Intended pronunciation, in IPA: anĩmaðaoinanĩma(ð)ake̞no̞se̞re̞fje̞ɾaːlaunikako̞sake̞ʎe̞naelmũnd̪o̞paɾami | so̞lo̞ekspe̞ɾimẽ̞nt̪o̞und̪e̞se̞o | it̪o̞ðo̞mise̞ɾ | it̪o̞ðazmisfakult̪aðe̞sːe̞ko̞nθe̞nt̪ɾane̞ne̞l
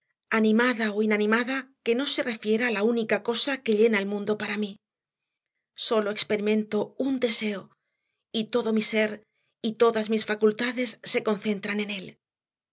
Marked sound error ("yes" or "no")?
no